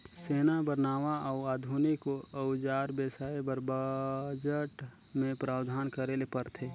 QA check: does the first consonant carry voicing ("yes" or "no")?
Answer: no